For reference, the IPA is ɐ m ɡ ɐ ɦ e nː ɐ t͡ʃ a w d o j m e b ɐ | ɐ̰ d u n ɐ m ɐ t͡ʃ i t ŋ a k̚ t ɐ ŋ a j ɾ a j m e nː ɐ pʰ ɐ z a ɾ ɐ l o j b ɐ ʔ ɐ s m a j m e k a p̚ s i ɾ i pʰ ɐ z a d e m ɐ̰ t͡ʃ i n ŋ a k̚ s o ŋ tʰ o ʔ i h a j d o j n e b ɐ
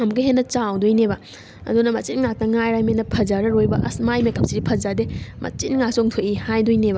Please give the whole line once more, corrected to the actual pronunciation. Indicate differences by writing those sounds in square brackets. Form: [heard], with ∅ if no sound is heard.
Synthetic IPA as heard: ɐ m ɡ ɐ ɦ e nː ɐ t͡ʃ a w d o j [n] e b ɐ | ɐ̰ d u n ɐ m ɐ t͡ʃ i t ŋ a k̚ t ɐ ŋ a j ɾ a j m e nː ɐ pʰ ɐ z a ɾ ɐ [ɾ] o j b ɐ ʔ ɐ s m a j m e k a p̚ s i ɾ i pʰ ɐ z a d e m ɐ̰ t͡ʃ i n ŋ a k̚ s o ŋ tʰ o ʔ i h a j d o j n e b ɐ